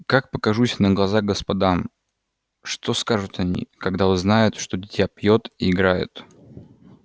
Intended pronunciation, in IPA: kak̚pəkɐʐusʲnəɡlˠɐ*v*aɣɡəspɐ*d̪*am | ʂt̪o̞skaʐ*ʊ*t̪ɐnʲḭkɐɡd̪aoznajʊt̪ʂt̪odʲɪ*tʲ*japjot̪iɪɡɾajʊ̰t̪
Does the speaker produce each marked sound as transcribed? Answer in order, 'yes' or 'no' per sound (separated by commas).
no, yes, yes, yes